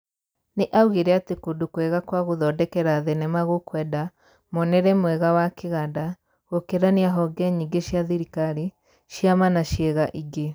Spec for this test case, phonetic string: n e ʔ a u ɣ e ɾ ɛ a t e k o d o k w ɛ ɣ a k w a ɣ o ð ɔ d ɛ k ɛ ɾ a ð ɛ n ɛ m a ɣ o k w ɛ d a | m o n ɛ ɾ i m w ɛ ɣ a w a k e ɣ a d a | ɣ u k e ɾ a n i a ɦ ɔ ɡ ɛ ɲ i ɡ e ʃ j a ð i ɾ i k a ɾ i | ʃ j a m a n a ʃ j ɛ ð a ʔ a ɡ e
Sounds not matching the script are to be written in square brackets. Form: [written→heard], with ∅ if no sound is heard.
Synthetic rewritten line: n e ʔ a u ɣ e ɾ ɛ a t e k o d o k w ɛ ɣ a k w a ɣ o ð ɔ d ɛ k ɛ ɾ a ð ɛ n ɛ m a ɣ o k w ɛ d a | m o n ɛ ɾ [i→ɛ] m w ɛ ɣ a w a k e ɣ a d a | ɣ [u→o] k e ɾ a n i a ɦ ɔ ɡ ɛ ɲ i ɡ e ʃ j a ð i ɾ i k a ɾ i | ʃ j a m a n a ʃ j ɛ [ð→ɣ] a ʔ [a→i] ɡ e